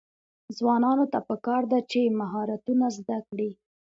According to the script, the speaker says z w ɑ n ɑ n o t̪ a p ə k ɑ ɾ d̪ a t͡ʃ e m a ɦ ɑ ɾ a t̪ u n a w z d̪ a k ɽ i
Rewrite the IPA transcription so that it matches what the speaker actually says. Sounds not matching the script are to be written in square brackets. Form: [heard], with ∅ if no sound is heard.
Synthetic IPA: z w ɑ n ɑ n o t̪ a p ə k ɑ ɾ d̪ a t͡ʃ e m a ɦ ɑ ɾ a t̪ u n a [∅] z d̪ a k ɽ i